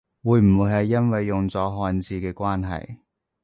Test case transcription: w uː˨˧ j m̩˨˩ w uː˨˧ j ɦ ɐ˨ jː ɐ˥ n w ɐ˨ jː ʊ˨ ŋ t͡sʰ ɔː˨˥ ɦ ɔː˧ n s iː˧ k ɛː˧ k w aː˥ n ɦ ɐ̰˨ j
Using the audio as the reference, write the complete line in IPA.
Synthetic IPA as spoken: w uː˨˧ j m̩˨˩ w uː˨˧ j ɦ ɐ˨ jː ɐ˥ n w ɐ˨ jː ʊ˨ ŋ t͡s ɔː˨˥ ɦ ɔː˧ n t͡s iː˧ k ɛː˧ k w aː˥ n ɦ ɐ̰˨ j